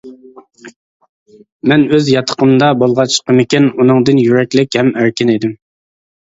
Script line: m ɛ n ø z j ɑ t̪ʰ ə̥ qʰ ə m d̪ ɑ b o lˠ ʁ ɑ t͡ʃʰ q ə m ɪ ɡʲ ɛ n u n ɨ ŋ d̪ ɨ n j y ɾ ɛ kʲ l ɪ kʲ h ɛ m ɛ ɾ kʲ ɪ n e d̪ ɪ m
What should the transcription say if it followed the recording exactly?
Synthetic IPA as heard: m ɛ n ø z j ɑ t̪ʰ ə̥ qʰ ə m d̪ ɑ b o lˠ ʁ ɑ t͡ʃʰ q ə m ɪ kʲ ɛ n u n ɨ ŋ d̪ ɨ n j y ɾ ɛ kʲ l ɪ kʲ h ɛ m æ ɾ kʲ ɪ n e d̪ ɪ m